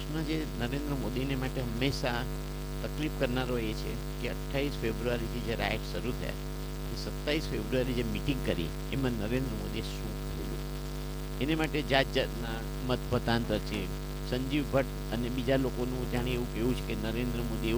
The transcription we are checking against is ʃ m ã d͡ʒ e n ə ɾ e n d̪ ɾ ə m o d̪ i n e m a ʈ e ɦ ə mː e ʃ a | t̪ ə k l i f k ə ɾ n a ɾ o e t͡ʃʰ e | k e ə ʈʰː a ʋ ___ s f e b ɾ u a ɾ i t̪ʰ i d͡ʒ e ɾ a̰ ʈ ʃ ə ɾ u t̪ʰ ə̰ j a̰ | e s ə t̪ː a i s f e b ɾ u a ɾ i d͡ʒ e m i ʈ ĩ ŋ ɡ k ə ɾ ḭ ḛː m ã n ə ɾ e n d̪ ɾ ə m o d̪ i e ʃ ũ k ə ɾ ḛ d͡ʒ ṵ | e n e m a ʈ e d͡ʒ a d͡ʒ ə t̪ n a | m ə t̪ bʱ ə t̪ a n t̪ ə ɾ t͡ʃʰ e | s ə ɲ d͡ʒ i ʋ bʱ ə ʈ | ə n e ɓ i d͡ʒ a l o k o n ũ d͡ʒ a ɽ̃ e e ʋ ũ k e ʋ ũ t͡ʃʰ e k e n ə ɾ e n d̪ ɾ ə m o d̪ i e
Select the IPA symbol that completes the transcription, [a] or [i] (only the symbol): i